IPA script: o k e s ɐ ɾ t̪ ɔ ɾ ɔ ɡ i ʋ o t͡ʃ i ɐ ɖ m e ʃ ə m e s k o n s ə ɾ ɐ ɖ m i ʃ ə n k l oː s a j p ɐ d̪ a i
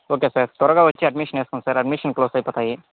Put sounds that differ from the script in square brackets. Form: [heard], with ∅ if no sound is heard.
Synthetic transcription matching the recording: o k e s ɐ ɾ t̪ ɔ ɾ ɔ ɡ [a] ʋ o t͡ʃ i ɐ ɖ m [i] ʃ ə [n] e s k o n s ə ɾ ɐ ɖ m i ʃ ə n k l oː s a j p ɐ [t̪] a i